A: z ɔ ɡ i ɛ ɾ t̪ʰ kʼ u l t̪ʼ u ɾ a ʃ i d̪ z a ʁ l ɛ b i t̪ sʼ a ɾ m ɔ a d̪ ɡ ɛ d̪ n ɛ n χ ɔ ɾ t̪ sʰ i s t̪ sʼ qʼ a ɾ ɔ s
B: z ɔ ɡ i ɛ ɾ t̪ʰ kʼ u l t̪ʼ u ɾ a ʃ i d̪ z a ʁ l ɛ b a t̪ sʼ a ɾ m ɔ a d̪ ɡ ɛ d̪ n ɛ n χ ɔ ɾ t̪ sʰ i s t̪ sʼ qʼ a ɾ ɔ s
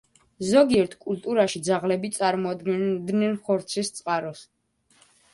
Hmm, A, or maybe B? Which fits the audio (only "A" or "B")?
A